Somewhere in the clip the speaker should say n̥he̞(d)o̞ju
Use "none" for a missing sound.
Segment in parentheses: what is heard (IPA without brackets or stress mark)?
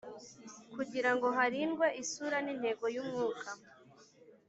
ɡ